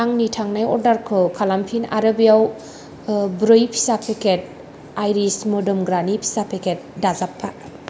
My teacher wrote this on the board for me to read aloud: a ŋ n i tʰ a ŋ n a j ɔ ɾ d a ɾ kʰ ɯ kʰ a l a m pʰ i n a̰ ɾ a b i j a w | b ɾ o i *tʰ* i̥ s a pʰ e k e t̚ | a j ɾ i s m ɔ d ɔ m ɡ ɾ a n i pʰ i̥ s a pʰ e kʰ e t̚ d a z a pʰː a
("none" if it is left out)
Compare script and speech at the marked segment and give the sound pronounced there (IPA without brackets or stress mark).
pʰ